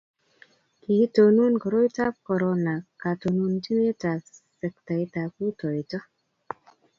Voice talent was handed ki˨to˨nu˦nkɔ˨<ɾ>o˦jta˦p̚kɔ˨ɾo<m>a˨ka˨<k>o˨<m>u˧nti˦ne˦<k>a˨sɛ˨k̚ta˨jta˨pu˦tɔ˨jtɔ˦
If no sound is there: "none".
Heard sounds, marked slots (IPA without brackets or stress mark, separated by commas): ɾ, n, t, n, t